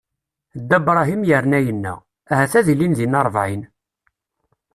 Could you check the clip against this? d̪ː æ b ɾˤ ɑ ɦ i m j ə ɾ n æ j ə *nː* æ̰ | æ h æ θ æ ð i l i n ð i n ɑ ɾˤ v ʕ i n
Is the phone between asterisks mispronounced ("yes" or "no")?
no